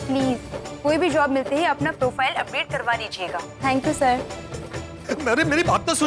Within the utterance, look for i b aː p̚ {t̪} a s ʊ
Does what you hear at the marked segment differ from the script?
no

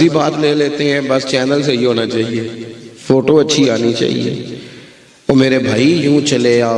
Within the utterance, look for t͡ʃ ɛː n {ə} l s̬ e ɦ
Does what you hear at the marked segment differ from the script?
no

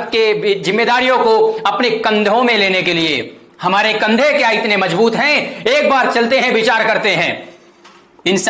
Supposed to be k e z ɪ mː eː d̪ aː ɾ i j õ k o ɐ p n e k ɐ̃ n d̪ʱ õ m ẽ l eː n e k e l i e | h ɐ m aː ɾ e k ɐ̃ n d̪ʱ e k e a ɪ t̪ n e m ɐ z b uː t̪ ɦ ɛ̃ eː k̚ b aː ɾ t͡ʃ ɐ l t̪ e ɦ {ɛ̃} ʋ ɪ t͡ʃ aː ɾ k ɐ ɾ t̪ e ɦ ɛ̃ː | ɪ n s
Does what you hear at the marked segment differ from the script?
no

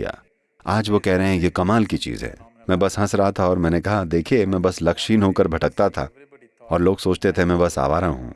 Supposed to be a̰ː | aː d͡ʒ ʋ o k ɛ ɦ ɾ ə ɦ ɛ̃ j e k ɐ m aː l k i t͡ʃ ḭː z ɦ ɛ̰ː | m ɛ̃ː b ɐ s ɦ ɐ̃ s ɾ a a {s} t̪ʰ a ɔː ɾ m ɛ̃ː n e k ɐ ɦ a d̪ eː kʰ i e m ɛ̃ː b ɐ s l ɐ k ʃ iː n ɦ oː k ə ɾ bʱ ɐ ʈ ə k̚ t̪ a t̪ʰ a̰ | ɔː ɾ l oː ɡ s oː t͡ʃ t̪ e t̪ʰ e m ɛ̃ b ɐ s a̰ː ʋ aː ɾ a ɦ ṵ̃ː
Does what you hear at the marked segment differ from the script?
yes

